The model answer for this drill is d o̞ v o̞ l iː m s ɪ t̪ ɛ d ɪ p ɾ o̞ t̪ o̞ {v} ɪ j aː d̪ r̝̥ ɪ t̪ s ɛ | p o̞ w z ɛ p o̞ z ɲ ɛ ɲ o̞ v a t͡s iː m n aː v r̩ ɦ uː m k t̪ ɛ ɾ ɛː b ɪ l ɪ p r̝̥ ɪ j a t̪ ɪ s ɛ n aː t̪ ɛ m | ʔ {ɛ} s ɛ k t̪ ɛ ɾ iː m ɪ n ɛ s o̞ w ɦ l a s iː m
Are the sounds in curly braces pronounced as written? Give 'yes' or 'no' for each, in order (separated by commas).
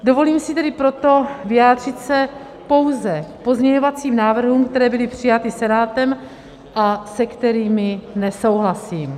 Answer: yes, no